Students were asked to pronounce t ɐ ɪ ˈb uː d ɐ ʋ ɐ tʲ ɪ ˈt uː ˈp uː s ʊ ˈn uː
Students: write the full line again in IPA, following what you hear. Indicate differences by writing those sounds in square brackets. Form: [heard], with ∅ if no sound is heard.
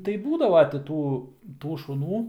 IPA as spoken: t ɐ ɪ ˈb uː d ɐ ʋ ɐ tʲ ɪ ˈt uː [ˈt] uː [ʃ] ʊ ˈn uː

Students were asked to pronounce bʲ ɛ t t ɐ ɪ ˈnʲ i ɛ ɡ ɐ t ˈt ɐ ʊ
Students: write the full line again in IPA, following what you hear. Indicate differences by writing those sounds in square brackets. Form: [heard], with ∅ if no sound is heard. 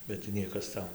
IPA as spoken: bʲ ɛ t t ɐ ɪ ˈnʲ i ɛ [k] ɐ [s] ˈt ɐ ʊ

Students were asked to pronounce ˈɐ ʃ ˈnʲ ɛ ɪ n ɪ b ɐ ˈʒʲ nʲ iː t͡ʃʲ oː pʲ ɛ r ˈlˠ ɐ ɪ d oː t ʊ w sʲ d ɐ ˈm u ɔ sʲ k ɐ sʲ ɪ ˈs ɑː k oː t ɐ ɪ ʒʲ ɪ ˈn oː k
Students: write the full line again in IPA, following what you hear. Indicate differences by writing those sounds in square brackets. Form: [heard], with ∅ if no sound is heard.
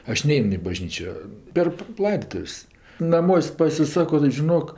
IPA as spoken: ˈɐ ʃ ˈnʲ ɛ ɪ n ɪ b ɐ ˈʒʲ nʲ iː t͡ʃʲ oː pʲ ɛ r ˈlˠ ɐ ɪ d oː t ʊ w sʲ [n] ɐ ˈm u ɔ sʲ [p] ɐ sʲ ɪ ˈs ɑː k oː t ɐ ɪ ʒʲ ɪ ˈn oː k

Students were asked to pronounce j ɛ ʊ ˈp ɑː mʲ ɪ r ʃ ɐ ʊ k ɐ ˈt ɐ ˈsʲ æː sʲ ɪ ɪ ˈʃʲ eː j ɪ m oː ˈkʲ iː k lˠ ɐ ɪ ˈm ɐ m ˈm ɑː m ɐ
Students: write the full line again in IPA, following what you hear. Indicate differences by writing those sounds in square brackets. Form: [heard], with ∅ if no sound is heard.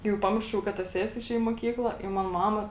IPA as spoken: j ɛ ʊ ˈp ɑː mʲ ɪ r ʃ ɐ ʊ k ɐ ˈt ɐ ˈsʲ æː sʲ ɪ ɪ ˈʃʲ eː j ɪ m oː ˈkʲ iː k lˠ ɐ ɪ ˈm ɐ [n] ˈm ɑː m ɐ

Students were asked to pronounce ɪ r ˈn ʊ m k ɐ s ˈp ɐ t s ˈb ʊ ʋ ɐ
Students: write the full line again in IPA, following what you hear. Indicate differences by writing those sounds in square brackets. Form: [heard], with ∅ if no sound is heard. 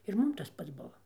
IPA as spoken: ɪ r [ˈm] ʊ m [t] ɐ s ˈp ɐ t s ˈb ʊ ʋ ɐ

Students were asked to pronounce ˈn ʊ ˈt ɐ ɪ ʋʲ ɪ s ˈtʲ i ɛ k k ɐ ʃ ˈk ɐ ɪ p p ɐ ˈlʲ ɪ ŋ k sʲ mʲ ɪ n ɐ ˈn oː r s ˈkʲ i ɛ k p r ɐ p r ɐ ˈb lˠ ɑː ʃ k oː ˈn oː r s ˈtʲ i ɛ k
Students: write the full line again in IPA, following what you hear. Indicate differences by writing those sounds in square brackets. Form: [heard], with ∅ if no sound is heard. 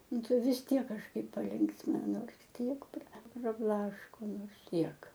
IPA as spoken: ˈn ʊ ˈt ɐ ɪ ʋʲ ɪ s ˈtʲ i ɛ k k ɐ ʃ ˈk ɐ ɪ p p ɐ ˈlʲ ɪ ŋ k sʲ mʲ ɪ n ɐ ˈn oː r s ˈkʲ i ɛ k p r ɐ p r ɐ ˈb lˠ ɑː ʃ k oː ˈn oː r s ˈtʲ i ɛ k

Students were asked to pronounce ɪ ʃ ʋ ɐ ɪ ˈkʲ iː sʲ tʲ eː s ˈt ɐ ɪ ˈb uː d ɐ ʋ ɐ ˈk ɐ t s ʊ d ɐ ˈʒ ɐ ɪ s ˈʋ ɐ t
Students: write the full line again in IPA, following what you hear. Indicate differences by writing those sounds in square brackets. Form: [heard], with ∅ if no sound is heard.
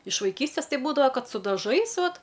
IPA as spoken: ɪ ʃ ʋ ɐ ɪ ˈkʲ iː sʲ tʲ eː s ˈt ɐ ɪ ˈb uː d ɐ ʋ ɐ ˈk ɐ t s ʊ d ɐ ˈʒ ɐ ɪ s ˈʋ ɐ t

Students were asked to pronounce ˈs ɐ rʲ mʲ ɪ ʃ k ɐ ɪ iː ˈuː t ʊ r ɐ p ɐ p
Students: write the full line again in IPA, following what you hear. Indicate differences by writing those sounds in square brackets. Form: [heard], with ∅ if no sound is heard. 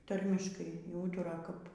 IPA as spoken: [ˈt] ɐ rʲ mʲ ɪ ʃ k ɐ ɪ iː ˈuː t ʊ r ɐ [k] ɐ p

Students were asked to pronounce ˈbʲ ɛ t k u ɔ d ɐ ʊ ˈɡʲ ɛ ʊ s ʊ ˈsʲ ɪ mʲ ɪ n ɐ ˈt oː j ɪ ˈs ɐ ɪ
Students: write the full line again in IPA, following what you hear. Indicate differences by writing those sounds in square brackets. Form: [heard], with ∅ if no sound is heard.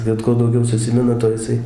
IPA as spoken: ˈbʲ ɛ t k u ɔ d ɐ ʊ ˈɡʲ ɛ ʊ s ʊ ˈsʲ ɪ mʲ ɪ n ɐ ˈt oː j ɪ ˈs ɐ ɪ

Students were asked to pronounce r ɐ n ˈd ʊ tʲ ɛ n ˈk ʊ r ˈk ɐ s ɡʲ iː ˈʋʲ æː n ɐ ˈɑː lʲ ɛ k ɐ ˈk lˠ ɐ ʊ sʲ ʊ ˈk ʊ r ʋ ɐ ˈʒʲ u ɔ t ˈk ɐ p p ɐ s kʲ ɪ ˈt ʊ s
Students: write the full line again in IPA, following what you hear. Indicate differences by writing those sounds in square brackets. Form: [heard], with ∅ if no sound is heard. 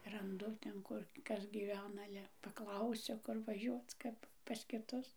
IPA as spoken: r ɐ n ˈd ʊ tʲ ɛ n ˈk ʊ r ˈk ɐ s ɡʲ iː ˈʋʲ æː n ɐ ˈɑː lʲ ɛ [p] ɐ ˈk lˠ ɐ ʊ sʲ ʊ ˈk ʊ r ʋ ɐ ˈʒʲ u ɔ [t͡s] ˈk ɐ p p ɐ s kʲ ɪ ˈt ʊ s

